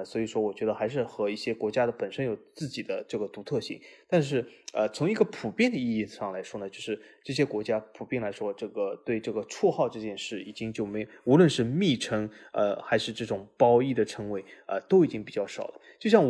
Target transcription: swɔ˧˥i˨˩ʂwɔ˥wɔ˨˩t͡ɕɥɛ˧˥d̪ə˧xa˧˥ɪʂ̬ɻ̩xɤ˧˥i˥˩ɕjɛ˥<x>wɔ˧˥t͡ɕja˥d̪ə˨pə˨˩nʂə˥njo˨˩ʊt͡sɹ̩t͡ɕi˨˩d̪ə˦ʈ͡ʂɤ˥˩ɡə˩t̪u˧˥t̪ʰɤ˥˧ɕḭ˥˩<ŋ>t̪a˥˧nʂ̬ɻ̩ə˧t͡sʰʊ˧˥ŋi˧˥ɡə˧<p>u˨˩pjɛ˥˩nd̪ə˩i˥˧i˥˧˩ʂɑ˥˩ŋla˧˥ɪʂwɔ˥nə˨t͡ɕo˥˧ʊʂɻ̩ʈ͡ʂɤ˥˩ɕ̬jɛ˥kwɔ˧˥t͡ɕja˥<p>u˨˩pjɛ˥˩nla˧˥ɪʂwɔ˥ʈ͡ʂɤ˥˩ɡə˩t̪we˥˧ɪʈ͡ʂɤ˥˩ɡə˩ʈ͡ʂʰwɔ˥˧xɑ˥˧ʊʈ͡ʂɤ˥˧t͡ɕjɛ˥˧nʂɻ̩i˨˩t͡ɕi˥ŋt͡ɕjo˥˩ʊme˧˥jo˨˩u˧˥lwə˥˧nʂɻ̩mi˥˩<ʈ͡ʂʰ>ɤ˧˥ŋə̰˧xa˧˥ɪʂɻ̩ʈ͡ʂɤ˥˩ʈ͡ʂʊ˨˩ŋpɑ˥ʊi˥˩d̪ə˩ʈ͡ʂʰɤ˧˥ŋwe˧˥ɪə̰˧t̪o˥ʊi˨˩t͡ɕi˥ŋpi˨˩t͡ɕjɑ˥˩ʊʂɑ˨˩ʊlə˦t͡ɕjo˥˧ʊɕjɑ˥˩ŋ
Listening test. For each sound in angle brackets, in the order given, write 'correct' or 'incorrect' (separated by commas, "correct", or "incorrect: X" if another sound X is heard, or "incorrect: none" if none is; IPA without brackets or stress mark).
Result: incorrect: k, correct, incorrect: pʰ, incorrect: pʰ, correct